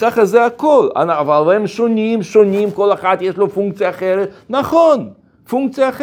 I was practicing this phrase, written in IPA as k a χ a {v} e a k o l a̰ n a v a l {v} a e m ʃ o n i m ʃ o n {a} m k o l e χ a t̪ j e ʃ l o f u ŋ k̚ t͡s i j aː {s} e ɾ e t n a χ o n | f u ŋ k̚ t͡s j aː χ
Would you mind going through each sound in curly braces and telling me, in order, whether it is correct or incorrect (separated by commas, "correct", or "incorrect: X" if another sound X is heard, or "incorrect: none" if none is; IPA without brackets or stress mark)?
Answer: incorrect: z, correct, incorrect: i, incorrect: χ